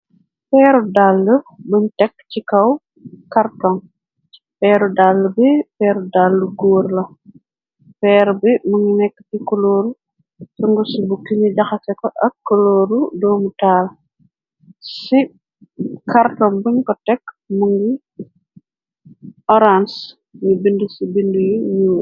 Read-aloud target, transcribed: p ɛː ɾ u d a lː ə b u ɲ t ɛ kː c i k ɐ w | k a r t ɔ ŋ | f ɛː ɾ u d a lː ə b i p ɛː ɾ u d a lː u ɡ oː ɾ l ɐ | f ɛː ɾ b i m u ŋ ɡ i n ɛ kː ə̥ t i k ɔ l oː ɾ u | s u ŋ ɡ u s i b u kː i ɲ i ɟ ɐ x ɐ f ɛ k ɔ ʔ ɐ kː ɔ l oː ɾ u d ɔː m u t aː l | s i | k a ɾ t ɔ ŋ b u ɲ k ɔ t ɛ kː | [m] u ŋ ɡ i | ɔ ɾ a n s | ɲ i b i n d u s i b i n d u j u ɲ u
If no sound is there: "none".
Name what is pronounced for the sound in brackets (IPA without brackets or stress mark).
m